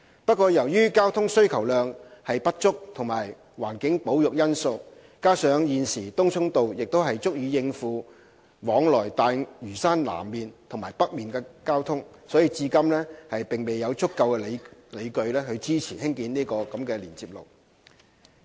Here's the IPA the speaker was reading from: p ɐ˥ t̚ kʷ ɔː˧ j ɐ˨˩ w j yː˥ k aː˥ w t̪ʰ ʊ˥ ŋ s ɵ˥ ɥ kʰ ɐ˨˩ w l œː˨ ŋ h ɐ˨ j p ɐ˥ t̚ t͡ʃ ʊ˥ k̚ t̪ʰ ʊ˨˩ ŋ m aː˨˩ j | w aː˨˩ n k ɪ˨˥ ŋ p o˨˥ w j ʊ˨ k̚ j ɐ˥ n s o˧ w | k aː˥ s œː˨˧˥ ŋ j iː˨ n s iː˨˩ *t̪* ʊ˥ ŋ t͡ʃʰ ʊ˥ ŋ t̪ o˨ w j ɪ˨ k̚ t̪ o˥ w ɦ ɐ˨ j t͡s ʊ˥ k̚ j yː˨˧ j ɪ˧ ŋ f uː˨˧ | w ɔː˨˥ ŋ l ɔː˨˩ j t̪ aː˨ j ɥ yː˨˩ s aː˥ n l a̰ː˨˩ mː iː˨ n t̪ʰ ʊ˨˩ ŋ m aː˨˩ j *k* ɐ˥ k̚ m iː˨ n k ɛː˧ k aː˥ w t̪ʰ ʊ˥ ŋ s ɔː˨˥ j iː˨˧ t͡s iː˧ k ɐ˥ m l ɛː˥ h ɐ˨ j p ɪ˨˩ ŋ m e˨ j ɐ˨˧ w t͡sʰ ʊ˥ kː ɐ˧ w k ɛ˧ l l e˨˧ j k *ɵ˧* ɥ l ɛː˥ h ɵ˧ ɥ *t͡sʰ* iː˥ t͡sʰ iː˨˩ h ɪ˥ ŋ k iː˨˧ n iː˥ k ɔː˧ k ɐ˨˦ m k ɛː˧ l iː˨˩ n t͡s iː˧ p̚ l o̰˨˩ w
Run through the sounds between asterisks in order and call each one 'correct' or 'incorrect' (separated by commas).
correct, incorrect, correct, incorrect